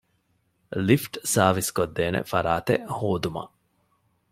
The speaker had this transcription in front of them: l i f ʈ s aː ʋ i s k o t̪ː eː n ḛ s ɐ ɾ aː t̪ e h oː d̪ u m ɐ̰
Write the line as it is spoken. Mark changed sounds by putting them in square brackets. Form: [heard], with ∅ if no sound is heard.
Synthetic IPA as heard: l i f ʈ s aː ʋ i s k o [d̪ː] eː n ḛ [f] ɐ ɾ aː t̪ e h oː d̪ u m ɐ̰